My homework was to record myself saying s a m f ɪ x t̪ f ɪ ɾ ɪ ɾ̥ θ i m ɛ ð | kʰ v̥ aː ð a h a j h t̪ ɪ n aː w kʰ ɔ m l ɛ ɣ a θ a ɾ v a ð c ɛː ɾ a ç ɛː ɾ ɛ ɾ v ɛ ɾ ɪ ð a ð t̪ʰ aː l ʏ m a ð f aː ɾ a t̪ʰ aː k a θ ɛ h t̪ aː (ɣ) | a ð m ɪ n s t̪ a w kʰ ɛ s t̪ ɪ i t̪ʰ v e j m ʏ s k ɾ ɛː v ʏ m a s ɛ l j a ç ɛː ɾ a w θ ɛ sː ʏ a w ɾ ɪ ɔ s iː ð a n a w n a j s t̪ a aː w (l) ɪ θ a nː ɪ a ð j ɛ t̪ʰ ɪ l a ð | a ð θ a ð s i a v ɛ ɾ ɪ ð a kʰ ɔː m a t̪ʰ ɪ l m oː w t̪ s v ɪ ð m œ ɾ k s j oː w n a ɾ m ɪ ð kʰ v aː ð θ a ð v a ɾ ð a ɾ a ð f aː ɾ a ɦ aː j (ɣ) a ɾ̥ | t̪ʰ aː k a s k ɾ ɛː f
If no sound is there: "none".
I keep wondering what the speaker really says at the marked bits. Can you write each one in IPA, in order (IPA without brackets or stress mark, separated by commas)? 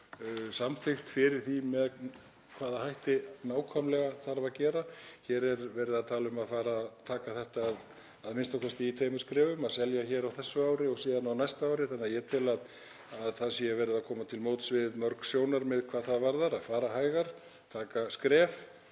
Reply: ð, ɾ, ɣ